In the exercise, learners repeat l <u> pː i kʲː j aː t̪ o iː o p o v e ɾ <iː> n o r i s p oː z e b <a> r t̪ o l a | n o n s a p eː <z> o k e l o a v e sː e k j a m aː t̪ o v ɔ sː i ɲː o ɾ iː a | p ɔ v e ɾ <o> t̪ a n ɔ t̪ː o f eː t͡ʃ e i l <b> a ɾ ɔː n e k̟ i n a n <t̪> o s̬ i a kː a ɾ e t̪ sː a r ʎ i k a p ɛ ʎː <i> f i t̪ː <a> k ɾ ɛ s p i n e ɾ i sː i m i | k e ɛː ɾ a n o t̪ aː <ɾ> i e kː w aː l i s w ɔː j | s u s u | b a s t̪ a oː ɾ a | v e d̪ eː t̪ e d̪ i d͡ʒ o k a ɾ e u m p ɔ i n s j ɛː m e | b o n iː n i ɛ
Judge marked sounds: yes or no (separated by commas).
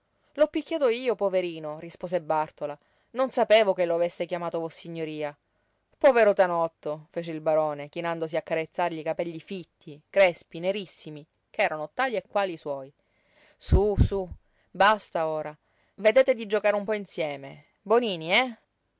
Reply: no, yes, yes, no, yes, yes, no, yes, no, no